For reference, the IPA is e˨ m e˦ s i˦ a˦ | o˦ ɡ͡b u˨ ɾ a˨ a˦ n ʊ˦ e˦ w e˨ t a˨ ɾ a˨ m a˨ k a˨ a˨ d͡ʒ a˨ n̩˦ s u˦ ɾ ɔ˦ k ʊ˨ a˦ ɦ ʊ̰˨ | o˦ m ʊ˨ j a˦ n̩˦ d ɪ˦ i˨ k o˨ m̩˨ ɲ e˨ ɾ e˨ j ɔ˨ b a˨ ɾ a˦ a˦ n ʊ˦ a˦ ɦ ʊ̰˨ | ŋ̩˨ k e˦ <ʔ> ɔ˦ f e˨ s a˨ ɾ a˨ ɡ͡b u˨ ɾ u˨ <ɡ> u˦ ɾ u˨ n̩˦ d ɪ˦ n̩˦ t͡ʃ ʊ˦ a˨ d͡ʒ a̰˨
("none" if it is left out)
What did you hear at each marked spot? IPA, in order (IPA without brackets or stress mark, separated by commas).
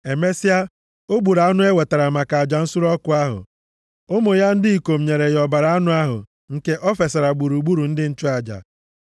ʔ, ɡ͡b